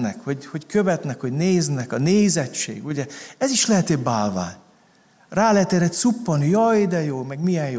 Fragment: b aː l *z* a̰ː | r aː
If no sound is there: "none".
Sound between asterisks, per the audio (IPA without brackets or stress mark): v